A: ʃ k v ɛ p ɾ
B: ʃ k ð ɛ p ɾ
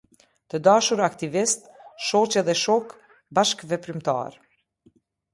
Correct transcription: A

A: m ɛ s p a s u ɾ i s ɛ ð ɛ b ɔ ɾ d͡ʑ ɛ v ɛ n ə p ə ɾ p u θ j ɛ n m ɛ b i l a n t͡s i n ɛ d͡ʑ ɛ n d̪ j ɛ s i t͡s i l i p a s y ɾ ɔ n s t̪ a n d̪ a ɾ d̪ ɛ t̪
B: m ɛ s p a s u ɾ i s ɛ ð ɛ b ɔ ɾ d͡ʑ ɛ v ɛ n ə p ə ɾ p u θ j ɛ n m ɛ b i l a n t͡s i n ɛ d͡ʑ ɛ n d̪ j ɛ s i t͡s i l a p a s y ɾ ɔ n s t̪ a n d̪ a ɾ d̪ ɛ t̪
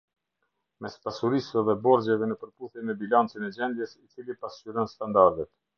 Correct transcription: A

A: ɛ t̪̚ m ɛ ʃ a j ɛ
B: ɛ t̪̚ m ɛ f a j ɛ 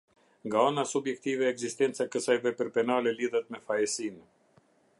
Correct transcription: B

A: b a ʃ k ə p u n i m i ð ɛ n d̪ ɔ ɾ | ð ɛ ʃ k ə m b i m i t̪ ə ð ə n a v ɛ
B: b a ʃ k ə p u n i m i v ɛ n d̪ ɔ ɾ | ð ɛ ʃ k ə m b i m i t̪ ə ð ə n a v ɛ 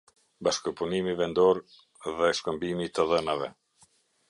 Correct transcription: B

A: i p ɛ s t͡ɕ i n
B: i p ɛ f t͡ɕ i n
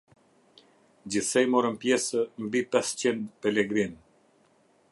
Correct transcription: A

